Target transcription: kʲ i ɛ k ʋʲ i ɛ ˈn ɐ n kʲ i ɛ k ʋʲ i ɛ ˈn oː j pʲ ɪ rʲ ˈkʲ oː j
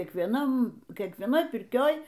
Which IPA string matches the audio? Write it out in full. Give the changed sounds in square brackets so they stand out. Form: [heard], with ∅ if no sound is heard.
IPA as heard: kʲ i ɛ k ʋʲ i ɛ ˈn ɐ [m] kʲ i ɛ k ʋʲ i ɛ ˈn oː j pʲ ɪ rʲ ˈkʲ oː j

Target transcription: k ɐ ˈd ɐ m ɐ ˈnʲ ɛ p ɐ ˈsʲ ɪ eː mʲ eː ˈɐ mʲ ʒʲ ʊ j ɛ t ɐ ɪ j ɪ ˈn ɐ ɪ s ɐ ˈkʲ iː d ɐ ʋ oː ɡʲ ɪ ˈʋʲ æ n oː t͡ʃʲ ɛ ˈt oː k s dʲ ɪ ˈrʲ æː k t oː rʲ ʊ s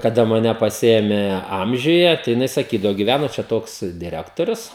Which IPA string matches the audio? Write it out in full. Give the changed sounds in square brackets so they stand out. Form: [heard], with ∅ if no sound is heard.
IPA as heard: k ɐ ˈd ɐ m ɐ ˈnʲ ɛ p ɐ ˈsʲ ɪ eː mʲ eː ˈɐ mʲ ʒʲ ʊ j ɛ t ɐ ɪ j ɪ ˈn ɐ ɪ s ɐ ˈkʲ iː d ɐ ʋ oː ɡʲ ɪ ˈʋʲ æ n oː t͡ʃʲ ɛ ˈt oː k s dʲ ɪ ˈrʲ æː k t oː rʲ ʊ s

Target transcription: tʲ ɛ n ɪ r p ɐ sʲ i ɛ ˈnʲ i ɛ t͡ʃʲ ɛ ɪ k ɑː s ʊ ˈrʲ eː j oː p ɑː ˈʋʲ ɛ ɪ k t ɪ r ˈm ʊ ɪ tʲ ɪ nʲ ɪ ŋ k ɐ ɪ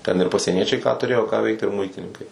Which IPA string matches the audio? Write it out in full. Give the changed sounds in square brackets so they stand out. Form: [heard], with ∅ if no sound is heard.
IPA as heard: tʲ ɛ n ɪ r p ɐ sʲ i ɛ ˈnʲ i ɛ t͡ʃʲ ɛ ɪ k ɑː [t] ʊ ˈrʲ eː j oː [k] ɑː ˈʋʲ ɛ ɪ k t ɪ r ˈm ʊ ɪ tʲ ɪ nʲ ɪ ŋ k ɐ ɪ

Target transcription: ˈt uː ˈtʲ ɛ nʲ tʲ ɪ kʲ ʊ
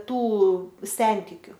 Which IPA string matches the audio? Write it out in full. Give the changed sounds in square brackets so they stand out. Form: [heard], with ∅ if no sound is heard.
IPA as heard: ˈt uː [ˈsʲ] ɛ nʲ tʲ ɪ kʲ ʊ

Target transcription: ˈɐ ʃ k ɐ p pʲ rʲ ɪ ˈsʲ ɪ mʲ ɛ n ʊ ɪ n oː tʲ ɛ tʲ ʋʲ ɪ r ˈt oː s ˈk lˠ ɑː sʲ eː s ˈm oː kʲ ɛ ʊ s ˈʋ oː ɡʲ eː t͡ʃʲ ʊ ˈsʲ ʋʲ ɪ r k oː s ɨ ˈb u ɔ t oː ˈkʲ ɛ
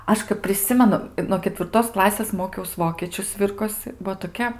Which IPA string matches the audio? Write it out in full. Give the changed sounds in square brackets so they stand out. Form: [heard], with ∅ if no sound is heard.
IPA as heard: ˈɐ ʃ k ɐ p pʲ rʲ ɪ ˈsʲ ɪ mʲ ɛ n ʊ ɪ n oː [kʲ] ɛ tʲ ʋʲ ɪ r ˈt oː s ˈk lˠ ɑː sʲ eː s ˈm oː kʲ ɛ ʊ s ˈʋ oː [kʲ] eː t͡ʃʲ ʊ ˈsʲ ʋʲ ɪ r k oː s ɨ ˈb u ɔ t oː ˈkʲ ɛ

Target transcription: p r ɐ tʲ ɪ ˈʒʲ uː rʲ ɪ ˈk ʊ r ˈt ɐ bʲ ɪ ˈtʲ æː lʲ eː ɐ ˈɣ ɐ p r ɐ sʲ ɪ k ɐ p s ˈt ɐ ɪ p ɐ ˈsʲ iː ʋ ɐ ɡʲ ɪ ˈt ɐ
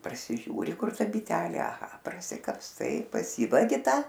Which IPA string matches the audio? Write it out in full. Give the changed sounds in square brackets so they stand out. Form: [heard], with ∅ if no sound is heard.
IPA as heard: p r ɐ [sʲ] ɪ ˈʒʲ uː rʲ ɪ ˈk ʊ r ˈt ɐ bʲ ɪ ˈtʲ æː lʲ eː ɐ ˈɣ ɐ p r ɐ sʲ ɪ k ɐ p s ˈt ɐ ɪ p ɐ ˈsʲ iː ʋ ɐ ɡʲ ɪ ˈt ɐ

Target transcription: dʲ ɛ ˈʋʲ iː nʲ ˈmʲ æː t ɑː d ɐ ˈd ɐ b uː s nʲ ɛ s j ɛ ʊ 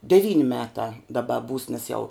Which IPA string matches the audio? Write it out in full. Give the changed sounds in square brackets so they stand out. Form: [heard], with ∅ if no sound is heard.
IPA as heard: dʲ ɛ ˈʋʲ iː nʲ ˈmʲ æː t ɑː d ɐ [ˈb] ɐ b uː s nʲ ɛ s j ɛ ʊ

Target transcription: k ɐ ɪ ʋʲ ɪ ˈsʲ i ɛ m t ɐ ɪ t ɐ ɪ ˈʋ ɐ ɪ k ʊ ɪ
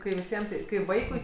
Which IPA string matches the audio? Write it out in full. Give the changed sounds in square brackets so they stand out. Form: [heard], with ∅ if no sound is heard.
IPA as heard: k ɐ ɪ ʋʲ ɪ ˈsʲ i ɛ m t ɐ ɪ [k] ɐ ɪ ˈʋ ɐ ɪ k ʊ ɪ

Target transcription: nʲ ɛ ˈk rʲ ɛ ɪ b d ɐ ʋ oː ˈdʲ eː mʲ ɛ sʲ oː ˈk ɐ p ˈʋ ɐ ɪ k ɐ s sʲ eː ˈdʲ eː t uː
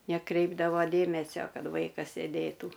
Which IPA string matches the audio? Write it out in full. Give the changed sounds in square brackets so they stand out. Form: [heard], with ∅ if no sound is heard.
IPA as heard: nʲ ɛ ˈk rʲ ɛ ɪ b d ɐ ʋ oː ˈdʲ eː mʲ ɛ sʲ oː ˈk ɐ [t] ˈʋ ɐ ɪ k ɐ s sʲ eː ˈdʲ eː t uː

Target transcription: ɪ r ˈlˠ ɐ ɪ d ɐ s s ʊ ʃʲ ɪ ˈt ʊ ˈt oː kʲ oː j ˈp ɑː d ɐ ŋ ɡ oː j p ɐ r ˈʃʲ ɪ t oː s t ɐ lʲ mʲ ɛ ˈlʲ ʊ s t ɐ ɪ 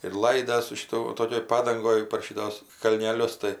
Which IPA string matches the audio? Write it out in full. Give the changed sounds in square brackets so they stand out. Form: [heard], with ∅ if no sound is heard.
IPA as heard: ɪ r ˈlˠ ɐ ɪ d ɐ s s ʊ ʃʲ ɪ ˈt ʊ ˈt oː kʲ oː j ˈp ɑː d ɐ ŋ ɡ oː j p ɐ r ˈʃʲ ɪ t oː s [k] ɐ lʲ [nʲ] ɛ ˈlʲ ʊ s t ɐ ɪ

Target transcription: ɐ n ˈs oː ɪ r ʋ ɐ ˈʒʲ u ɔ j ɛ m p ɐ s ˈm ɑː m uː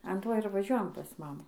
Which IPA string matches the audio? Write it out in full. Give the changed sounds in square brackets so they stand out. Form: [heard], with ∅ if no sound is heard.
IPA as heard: ɐ n [ˈt] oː ɪ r ʋ ɐ ˈʒʲ u ɔ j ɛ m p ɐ s ˈm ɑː m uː

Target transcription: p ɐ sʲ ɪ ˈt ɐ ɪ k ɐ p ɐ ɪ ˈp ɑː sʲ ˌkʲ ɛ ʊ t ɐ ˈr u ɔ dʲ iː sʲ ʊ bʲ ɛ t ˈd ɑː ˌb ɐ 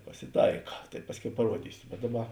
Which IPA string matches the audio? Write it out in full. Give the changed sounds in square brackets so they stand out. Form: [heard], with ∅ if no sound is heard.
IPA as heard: p ɐ sʲ ɪ ˈt ɐ ɪ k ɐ [t] ɐ ɪ ˈp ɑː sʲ ˌkʲ ɛ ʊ [p] ɐ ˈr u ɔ dʲ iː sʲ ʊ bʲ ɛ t ˈd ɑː ˌb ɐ

